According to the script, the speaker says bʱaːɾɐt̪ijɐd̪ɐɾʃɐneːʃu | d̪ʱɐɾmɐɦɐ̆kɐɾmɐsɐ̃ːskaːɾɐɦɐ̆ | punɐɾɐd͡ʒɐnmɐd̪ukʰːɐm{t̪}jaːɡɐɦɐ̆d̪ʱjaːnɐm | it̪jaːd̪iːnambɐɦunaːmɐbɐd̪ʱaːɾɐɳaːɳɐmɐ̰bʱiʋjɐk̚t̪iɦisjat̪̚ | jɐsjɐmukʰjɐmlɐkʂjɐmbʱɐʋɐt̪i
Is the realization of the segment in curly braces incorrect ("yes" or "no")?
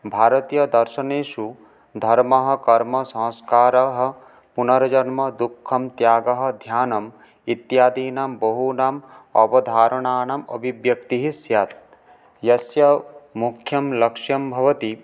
no